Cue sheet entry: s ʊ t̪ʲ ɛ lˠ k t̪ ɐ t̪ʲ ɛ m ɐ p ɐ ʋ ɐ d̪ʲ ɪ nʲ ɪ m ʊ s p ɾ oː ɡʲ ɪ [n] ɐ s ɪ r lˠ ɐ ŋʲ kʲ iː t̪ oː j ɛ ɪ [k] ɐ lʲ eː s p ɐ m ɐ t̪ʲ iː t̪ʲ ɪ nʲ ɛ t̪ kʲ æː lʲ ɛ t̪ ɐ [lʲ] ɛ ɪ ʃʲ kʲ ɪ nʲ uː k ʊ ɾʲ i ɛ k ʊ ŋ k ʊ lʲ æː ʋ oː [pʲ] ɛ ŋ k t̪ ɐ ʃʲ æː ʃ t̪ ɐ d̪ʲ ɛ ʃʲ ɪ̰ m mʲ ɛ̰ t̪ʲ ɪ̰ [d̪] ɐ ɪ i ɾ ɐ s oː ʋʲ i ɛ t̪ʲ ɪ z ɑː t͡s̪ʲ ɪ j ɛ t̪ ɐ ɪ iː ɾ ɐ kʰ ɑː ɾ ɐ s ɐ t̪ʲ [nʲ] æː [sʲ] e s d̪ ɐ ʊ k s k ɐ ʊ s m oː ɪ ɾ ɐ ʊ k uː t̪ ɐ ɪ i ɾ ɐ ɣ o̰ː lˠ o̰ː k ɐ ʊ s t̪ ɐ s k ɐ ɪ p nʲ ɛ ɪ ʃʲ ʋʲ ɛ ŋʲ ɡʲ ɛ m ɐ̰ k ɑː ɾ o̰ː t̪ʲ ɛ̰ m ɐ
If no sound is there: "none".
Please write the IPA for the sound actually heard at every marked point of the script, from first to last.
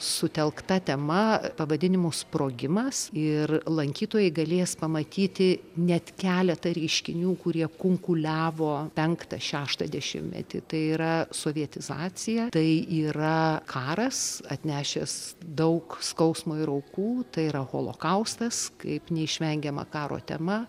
m, ɡ, ɾʲ, pʲ, t̪, nʲ, ʃʲ

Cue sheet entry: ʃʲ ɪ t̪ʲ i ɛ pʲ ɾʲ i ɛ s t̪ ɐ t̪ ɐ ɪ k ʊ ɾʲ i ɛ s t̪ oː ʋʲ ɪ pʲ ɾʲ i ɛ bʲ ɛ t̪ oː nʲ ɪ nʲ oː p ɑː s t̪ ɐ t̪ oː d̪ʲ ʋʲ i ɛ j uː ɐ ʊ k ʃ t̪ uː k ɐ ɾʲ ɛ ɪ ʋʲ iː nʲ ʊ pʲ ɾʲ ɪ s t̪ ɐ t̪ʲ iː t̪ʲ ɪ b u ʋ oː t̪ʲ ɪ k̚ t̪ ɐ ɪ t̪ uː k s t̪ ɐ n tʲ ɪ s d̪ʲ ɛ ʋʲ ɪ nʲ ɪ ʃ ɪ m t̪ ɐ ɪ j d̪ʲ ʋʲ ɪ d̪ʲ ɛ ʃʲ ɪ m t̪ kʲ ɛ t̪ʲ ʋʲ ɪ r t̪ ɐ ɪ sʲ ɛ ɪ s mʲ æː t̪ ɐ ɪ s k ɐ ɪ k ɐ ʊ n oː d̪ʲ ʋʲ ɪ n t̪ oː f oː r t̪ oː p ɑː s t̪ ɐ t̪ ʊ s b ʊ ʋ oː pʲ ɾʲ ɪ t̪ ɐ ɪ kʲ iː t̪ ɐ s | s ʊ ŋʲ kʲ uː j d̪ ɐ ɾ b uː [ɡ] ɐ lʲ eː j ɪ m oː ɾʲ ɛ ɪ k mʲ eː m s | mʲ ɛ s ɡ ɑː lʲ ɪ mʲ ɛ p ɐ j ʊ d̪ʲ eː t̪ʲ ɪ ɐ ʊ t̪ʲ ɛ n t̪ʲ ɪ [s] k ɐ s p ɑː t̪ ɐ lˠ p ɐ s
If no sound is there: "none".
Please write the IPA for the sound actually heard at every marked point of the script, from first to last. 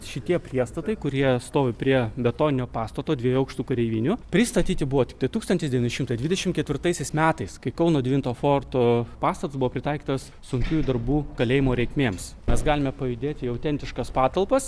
k, ʃ

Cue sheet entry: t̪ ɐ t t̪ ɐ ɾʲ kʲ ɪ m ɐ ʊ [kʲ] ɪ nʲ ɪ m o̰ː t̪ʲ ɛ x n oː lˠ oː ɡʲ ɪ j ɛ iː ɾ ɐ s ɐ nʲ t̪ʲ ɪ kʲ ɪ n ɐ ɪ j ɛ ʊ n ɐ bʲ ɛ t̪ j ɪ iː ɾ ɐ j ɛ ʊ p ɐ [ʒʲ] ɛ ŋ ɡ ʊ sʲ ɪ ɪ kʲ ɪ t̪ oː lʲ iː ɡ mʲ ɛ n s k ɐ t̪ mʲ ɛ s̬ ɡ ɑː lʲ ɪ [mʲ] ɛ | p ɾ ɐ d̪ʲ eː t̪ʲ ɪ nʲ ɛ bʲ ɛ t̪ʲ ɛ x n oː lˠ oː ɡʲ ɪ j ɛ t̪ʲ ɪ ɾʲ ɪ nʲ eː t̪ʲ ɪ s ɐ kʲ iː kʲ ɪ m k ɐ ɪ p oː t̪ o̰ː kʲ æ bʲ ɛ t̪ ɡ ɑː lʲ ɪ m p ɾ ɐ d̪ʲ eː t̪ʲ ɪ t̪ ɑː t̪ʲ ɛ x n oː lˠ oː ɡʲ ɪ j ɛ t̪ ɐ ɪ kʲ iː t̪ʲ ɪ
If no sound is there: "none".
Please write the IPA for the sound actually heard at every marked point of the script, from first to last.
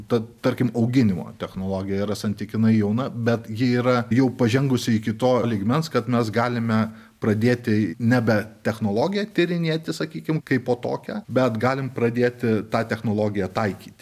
ɡʲ, ʒʲ, mʲ

